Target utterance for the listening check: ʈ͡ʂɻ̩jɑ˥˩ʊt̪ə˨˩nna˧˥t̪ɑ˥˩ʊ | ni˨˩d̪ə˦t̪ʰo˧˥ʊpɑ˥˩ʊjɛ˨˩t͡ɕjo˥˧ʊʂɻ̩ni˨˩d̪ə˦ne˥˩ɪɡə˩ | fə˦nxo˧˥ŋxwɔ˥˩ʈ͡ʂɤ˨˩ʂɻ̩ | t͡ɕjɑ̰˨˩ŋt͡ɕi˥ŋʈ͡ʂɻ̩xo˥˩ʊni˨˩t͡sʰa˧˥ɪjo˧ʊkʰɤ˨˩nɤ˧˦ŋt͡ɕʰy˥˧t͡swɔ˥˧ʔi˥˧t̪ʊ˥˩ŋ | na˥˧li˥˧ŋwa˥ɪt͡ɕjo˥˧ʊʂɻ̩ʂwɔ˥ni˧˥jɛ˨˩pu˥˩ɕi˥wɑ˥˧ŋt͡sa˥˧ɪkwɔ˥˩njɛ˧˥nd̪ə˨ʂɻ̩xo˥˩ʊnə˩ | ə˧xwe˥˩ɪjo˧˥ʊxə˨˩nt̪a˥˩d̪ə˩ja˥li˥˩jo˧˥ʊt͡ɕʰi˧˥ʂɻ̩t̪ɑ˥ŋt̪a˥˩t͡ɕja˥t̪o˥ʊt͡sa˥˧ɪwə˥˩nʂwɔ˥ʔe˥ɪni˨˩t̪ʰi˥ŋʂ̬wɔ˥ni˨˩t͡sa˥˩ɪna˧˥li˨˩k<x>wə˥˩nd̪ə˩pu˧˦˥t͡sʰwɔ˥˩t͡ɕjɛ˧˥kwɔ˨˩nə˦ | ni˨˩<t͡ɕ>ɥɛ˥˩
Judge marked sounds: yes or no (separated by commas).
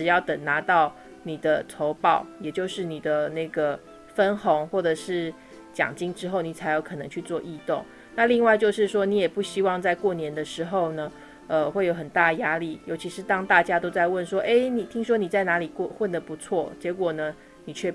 yes, no